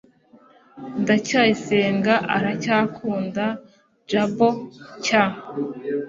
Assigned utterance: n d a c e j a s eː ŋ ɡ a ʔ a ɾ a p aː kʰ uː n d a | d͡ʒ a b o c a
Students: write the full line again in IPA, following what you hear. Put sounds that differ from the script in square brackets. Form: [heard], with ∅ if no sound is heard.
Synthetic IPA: n d a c [a] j [i] s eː ŋ ɡ a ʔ a ɾ a [c] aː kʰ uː n d a | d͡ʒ a b o c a